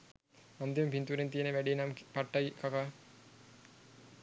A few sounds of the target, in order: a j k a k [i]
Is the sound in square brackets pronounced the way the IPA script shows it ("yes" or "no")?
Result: no